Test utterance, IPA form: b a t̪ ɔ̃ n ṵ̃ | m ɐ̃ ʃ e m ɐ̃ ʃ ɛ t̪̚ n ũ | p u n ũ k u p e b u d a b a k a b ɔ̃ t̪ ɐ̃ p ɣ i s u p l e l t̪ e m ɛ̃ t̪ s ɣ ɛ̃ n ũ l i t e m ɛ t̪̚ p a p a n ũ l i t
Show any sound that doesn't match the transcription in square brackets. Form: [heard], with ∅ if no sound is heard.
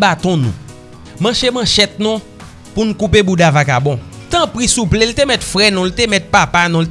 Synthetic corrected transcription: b a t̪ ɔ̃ n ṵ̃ | m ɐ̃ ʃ e m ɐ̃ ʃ ɛ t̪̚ n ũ | p u n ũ k u p e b u d a [v] a k a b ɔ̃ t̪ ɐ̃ p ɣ i s u p l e l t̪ e m [ɛ] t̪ [f] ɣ [ɛ] n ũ l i t e m ɛ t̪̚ p a p a n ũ l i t